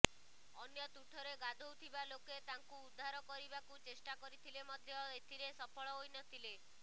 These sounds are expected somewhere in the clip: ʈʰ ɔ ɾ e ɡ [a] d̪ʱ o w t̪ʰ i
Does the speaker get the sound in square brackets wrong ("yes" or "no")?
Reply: no